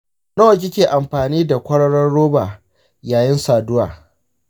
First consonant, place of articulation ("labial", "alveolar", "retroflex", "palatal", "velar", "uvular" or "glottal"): alveolar